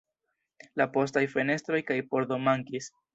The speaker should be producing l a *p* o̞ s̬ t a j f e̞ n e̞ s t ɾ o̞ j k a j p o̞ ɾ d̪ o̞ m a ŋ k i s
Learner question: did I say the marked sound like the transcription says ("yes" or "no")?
yes